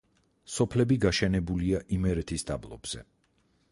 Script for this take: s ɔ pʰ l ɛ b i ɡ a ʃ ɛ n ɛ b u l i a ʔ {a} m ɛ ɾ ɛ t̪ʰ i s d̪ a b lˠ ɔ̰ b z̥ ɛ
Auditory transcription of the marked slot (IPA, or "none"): i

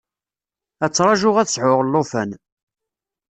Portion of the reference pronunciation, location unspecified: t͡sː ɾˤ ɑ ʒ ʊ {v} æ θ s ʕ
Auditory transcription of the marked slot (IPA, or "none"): ʁ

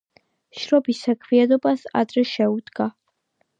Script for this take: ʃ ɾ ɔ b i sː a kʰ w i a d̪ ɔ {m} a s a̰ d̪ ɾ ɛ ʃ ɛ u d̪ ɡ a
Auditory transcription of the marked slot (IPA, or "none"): b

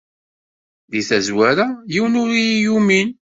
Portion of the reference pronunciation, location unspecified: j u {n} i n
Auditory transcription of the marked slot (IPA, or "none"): m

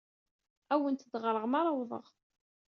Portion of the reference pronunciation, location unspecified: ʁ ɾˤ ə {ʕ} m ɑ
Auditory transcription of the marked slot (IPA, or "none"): ʁ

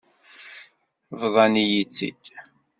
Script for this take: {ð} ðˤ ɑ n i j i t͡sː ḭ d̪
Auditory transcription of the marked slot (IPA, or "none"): v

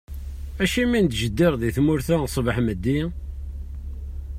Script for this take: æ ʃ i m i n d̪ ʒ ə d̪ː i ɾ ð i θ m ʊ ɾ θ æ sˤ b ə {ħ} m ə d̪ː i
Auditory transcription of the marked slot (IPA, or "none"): ħ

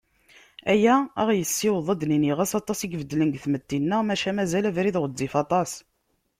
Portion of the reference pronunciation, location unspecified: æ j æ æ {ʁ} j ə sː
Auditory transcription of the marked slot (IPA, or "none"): ʁ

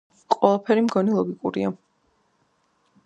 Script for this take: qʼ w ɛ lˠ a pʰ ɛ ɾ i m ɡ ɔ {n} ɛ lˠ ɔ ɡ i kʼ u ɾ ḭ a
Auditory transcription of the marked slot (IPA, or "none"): n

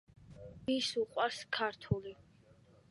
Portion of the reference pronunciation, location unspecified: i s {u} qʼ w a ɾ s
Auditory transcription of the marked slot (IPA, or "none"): u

